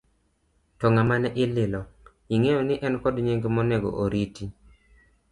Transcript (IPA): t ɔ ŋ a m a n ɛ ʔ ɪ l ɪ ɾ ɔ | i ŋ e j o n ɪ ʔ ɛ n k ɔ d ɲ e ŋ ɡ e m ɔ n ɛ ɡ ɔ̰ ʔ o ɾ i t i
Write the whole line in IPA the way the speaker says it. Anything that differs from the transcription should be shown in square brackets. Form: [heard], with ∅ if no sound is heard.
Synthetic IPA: t ɔ ŋ a m a n ɛ ʔ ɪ l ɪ [l] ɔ | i ŋ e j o n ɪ ʔ ɛ n k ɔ d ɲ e ŋ ɡ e m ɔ n ɛ ɡ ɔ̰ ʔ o ɾ i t i